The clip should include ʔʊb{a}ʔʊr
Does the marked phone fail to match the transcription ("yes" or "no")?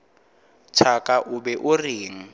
yes